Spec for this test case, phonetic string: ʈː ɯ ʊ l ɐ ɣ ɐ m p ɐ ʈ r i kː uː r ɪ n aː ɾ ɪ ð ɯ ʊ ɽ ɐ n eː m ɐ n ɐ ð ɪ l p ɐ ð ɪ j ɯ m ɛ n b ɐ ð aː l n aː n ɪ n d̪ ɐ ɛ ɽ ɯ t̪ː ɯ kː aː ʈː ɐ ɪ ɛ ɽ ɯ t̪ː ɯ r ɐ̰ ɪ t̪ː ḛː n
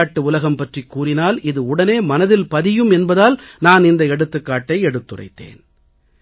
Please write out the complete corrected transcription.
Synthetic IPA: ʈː ɯ ʊ l ɐ ɣ ɐ m p ɐ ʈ r i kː uː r ɪ n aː l ɪ ð ɯ ʊ ɽ ɐ n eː m ɐ n ɐ ð ɪ l p ɐ ð ɪ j ɯ m ɛ n b ɐ ð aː l n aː n ɪ n d̪ ɐ ɛ ɽ ɯ t̪ː ɯ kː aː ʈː ɐ ɪ ɛ ɽ ɯ t̪ː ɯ r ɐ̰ ɪ t̪ː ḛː n